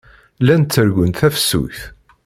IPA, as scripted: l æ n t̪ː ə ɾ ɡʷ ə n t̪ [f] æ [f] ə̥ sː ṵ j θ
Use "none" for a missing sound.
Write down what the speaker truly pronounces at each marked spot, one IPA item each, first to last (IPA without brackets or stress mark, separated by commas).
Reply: θ, f